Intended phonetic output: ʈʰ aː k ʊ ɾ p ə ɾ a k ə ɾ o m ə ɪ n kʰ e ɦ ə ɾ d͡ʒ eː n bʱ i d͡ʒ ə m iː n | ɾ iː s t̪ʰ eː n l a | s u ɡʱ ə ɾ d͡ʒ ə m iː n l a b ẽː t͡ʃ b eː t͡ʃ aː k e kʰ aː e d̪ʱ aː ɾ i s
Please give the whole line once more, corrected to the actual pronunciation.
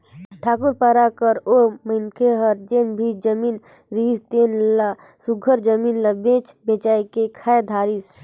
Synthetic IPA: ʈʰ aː k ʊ ɾ p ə ɾ a k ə ɾ o m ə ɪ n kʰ e ɦ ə ɾ d͡ʒ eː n bʱ i d͡ʒ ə m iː n | ɾ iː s t̪ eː n l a | s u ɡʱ ə ɾ d͡ʒ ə m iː n l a b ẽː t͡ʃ b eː t͡ʃ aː k e kʰ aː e d̪ʱ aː ɾ i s